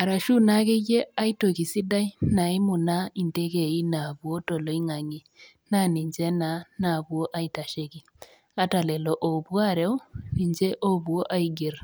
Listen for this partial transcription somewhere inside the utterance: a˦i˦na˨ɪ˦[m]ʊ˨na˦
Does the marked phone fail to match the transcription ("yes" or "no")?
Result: no